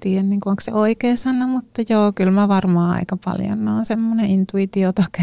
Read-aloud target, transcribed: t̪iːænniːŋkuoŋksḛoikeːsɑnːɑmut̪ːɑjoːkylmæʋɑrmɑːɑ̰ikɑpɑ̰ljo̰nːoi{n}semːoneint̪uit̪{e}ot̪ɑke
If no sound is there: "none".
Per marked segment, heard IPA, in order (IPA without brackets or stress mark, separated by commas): n, i